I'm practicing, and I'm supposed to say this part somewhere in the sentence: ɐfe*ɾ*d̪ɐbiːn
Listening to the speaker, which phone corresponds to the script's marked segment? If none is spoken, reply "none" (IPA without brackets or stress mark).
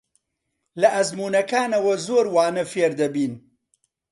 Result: ɾ